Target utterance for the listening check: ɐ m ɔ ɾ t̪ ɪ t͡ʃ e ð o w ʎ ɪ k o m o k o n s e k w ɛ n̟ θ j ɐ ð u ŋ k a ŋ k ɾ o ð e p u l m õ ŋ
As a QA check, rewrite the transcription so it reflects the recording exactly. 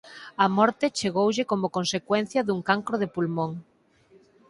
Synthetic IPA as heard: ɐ m ɔ ɾ t̪ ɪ t͡ʃ e ɣ o w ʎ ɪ k o m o k o n s e k w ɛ n̟ θ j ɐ ð u ŋ k a ŋ k ɾ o ð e p u l m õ ŋ